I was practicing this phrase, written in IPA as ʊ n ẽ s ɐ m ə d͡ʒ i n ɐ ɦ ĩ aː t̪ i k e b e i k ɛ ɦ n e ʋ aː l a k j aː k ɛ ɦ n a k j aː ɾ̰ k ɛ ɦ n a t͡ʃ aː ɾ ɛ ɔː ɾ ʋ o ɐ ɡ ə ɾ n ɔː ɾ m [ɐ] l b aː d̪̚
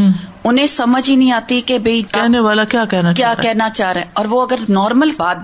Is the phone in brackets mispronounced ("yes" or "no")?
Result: yes